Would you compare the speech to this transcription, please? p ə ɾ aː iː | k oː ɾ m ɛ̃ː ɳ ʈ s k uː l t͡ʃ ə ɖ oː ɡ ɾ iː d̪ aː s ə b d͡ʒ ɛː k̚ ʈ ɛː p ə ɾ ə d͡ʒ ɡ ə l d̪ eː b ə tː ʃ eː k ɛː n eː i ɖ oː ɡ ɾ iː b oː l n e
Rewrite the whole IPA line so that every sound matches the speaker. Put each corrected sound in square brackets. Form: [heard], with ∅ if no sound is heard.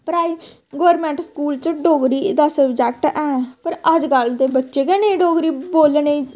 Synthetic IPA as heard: p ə ɾ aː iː | [ɡ] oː ɾ m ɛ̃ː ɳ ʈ s k uː l t͡ʃ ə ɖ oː ɡ ɾ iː d̪ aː s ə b d͡ʒ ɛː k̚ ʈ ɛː p ə ɾ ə d͡ʒ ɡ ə l d̪ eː b ə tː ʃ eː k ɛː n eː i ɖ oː ɡ ɾ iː b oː l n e